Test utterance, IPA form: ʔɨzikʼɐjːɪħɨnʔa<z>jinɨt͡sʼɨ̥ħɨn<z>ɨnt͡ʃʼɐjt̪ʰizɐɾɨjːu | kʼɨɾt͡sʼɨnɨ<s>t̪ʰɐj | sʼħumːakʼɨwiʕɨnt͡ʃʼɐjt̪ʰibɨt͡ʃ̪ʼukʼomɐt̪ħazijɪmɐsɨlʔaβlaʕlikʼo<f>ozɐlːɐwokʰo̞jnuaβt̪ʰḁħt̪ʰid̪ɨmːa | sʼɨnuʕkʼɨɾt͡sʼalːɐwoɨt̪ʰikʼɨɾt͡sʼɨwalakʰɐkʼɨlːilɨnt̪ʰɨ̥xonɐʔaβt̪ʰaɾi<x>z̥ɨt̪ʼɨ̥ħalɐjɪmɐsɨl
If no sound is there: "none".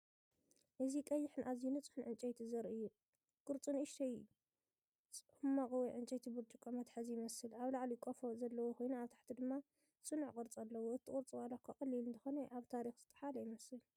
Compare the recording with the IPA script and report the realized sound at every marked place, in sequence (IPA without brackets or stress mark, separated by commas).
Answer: z, ʕ, ʃ, f, x